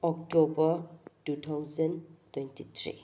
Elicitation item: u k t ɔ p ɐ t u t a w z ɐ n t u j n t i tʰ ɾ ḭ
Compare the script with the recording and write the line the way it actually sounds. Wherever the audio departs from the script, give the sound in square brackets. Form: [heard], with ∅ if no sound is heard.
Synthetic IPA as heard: [ɔ] k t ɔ [b] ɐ t u [tʰ] a w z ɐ n t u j n t i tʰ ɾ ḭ

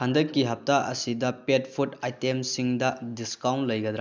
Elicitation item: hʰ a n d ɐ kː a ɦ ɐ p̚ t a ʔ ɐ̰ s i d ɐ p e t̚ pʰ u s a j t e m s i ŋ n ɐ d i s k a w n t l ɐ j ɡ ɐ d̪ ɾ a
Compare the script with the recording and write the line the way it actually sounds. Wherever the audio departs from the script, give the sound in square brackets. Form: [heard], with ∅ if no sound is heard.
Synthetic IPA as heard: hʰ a n d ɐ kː [i] ɦ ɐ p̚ t a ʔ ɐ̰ s i d ɐ p e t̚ pʰ u [t] a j t e m s i ŋ [d] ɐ d i s k a w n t l ɐ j ɡ ɐ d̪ ɾ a

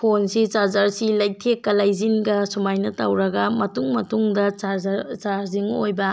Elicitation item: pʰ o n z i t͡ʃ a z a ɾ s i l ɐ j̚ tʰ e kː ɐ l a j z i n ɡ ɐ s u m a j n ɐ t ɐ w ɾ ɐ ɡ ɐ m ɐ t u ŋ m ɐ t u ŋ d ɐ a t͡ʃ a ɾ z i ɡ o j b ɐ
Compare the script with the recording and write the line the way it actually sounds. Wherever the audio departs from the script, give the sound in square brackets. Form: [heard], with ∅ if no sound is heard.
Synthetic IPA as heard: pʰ o n [s] i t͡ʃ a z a ɾ s i l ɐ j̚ tʰ e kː ɐ l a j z i n ɡ ɐ s u m a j n ɐ t ɐ w ɾ ɐ ɡ ɐ m ɐ t u ŋ m ɐ t u ŋ d ɐ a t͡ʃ a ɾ z i [ŋ] o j b ɐ

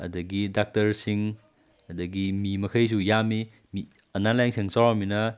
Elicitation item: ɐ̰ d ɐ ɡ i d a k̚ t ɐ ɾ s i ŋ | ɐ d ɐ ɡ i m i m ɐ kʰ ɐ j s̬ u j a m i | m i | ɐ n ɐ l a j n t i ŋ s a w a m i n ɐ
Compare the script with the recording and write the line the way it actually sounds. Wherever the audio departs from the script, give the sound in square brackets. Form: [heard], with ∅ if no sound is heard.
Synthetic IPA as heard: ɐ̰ d ɐ ɡ i d a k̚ t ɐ ɾ s i ŋ | ɐ d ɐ ɡ i m i m ɐ kʰ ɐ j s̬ u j a m i | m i | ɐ n [a] l a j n [s] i ŋ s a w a m i n ɐ

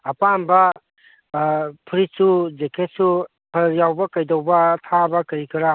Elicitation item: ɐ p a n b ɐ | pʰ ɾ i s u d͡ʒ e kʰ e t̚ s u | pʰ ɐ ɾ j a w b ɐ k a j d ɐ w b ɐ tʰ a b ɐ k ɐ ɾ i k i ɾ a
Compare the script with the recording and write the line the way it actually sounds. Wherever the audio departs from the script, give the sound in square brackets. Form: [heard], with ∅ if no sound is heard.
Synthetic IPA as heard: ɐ p a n b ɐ | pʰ ɾ i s u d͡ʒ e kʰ e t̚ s u | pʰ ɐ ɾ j a w b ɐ k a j d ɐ w b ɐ tʰ a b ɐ k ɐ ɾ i k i ɾ a

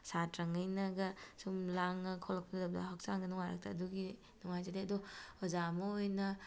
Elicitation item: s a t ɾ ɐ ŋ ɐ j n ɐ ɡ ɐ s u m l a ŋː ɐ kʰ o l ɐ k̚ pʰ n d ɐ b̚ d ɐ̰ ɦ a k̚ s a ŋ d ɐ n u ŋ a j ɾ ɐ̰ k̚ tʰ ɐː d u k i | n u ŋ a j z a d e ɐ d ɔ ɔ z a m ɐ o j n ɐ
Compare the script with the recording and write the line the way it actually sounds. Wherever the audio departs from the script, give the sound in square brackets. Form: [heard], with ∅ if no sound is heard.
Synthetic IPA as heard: s a t ɾ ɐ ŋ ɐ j n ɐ ɡ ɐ s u m l a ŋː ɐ kʰ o l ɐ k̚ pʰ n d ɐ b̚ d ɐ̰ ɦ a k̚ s a ŋ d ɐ n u ŋ a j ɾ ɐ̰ k̚ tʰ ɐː d u [ɡ] i | n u ŋ a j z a d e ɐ d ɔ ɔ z a m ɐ o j n ɐ

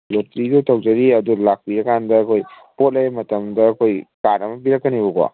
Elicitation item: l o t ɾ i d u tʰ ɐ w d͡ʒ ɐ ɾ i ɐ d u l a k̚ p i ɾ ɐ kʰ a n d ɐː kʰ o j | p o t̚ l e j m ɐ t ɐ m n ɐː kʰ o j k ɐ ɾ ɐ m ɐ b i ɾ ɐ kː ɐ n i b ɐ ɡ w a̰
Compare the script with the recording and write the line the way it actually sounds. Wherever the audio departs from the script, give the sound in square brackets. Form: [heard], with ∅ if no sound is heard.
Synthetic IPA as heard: l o t ɾ i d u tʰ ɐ w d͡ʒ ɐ ɾ i ɐ d u l a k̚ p i ɾ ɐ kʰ a n d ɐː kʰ o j | p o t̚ l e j m ɐ t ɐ m [d] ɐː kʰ o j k [a] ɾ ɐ m ɐ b i ɾ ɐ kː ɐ n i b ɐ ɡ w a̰

